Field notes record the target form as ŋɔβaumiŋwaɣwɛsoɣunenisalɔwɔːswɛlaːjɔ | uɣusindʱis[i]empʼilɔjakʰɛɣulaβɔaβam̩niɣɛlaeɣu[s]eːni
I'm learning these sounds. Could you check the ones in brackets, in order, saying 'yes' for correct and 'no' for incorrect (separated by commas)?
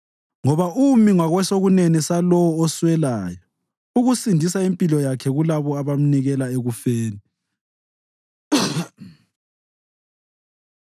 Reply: no, no